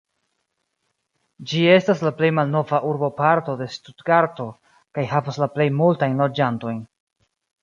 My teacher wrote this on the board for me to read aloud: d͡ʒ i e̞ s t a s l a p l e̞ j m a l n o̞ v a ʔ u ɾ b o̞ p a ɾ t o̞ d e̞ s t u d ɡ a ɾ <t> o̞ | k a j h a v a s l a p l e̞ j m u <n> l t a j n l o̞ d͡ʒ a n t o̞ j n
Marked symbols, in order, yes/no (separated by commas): yes, no